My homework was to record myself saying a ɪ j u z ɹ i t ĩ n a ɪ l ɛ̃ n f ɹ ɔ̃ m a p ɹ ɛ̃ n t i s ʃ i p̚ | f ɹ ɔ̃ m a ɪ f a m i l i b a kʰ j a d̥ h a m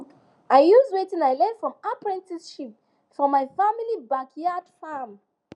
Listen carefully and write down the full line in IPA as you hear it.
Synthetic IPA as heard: a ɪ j u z ɹ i t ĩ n a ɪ l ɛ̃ n f ɹ ɔ̃ m a p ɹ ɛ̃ n t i s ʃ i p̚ | f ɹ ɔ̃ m a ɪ f a m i l i b a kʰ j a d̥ f a m